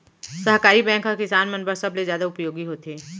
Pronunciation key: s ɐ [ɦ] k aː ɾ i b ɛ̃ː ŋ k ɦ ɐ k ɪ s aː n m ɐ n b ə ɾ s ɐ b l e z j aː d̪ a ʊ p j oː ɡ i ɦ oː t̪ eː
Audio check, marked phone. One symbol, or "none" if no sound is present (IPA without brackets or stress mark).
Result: ɦ